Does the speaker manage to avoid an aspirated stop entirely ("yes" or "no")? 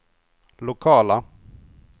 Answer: no